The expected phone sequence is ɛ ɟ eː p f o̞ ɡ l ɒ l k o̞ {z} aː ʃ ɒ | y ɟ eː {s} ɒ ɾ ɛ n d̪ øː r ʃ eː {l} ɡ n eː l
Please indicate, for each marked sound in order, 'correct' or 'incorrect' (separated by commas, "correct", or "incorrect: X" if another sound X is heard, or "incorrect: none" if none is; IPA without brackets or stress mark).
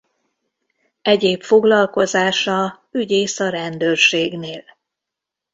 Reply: correct, correct, incorrect: none